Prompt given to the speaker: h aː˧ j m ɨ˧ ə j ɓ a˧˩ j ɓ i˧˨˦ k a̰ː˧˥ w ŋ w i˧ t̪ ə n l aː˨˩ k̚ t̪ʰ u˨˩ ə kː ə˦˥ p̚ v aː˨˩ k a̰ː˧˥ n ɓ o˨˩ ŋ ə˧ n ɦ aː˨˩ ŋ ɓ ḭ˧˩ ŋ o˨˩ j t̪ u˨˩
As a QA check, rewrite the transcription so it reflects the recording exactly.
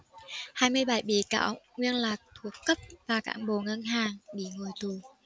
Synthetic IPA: h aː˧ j m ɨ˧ ə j ɓ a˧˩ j ɓ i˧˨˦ k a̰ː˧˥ w ŋ w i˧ ə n l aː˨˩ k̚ t̪ʰ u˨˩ ə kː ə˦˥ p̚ v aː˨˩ k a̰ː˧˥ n ɓ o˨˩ ŋ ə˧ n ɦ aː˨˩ ŋ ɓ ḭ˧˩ ŋ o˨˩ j t̪ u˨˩